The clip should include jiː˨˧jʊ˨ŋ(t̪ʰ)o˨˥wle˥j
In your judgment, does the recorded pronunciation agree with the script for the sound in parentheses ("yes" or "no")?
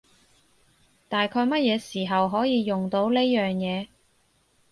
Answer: no